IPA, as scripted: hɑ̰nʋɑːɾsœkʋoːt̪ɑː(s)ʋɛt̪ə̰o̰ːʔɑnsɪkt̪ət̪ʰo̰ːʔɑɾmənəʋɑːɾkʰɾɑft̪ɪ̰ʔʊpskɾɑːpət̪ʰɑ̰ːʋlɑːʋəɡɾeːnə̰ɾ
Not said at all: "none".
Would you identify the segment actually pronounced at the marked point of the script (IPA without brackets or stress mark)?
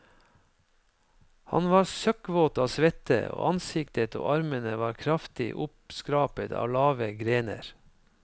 s